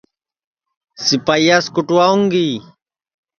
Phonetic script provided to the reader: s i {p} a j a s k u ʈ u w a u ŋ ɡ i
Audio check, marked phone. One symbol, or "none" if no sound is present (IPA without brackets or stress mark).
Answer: p